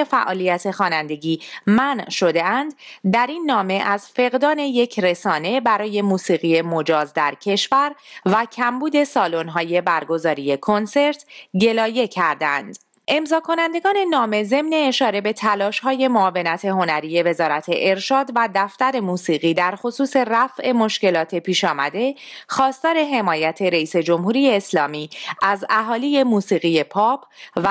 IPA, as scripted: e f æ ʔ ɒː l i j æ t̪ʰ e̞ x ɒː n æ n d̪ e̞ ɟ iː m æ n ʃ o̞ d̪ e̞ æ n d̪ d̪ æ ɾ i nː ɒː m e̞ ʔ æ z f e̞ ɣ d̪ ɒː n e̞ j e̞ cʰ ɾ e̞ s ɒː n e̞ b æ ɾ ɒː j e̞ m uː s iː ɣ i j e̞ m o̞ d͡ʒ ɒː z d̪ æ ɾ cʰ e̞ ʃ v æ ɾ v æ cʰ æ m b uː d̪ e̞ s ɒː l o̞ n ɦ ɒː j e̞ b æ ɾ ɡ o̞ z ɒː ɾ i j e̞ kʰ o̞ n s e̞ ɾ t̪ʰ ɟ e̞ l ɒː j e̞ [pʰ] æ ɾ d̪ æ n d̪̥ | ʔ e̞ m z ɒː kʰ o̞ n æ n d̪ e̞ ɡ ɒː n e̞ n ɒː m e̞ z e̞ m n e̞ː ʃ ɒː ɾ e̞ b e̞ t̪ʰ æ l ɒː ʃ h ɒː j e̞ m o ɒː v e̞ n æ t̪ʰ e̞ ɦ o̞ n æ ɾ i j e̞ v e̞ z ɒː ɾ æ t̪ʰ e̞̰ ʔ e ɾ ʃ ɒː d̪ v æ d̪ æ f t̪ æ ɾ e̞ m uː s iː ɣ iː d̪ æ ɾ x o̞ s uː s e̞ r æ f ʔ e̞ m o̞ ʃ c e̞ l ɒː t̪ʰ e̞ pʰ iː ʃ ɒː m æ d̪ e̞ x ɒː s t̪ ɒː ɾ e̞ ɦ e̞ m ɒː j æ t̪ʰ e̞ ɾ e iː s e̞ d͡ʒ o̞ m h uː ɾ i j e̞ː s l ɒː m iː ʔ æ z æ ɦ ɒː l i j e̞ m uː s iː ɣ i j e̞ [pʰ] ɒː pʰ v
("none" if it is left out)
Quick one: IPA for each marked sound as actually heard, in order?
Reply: cʰ, pʰ

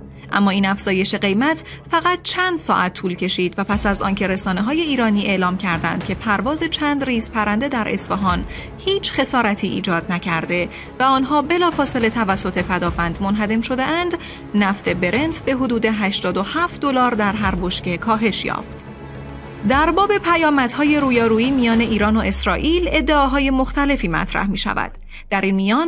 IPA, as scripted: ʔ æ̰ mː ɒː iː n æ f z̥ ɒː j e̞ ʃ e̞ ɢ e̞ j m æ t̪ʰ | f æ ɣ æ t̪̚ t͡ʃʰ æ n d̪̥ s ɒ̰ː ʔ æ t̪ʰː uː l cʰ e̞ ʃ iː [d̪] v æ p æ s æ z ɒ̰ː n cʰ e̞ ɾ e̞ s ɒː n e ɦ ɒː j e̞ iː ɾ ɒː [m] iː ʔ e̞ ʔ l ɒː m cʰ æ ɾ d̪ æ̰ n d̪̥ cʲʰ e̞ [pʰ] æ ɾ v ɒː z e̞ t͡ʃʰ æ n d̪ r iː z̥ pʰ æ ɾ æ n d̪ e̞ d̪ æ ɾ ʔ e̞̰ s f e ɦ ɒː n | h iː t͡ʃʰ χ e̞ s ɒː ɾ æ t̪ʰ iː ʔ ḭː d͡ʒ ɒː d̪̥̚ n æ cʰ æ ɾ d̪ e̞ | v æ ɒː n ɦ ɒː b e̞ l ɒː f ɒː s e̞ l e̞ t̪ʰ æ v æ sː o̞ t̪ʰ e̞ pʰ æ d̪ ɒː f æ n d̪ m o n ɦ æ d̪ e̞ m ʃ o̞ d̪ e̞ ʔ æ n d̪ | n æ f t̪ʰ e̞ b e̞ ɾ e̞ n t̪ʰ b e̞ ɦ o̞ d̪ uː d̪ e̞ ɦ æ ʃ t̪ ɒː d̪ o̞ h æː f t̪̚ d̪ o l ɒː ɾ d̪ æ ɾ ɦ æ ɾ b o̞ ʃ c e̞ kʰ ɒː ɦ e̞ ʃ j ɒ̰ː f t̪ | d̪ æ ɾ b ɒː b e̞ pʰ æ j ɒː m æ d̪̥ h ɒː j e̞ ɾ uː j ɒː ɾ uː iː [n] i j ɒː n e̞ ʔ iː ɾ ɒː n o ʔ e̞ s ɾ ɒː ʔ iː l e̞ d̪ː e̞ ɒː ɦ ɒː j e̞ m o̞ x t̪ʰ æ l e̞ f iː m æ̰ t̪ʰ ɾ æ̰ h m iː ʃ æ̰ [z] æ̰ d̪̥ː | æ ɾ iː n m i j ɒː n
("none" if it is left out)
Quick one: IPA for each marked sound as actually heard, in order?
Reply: d̪, n, pʰ, m, v

